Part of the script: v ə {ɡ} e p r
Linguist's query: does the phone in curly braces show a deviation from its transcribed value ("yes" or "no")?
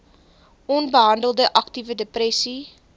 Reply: yes